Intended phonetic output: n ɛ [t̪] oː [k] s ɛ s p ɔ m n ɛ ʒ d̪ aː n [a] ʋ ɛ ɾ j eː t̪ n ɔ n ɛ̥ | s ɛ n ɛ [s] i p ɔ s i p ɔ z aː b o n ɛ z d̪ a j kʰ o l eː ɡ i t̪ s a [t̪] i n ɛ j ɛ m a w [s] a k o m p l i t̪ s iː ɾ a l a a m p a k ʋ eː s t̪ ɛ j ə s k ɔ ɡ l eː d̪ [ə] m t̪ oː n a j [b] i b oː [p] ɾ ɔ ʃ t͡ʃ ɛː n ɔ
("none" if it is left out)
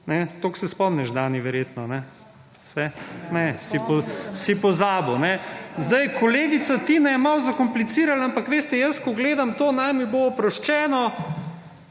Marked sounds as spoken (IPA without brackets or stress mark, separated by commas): t̪, k, i, s, t̪, z, a, m, p